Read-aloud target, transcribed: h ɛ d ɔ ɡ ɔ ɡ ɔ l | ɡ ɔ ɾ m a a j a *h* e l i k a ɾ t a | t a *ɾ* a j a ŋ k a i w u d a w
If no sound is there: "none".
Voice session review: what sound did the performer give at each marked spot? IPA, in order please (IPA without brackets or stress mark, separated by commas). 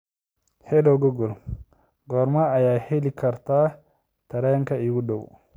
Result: h, ɾ